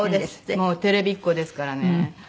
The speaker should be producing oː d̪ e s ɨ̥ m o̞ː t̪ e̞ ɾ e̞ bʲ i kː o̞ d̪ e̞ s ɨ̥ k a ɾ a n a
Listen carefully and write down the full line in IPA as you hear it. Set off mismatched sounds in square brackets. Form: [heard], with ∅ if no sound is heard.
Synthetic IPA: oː d̪ e s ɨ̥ m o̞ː t̪ e̞ ɾ e̞ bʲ i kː o̞ d̪ e̞ s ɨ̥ k a ɾ a n [e]